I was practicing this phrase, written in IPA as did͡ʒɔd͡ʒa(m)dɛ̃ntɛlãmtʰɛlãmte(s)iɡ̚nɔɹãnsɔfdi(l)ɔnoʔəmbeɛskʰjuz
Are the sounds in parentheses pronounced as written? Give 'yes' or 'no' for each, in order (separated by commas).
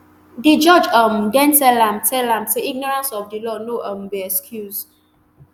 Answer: yes, no, yes